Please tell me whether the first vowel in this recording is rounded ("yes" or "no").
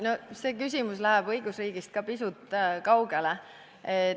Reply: yes